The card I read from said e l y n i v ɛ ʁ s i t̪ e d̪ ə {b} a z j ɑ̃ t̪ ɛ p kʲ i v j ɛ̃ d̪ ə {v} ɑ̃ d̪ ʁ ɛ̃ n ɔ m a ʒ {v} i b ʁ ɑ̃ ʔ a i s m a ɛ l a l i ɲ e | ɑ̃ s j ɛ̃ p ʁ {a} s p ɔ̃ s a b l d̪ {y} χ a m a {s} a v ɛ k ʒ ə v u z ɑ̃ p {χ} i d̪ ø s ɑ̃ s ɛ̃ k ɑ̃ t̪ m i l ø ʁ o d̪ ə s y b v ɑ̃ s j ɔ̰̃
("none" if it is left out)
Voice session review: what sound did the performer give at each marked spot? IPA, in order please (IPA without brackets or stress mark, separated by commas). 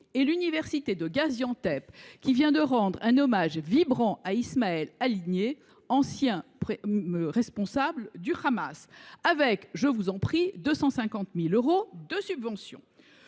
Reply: ɡ, ʁ, v, ɛ, y, s, χ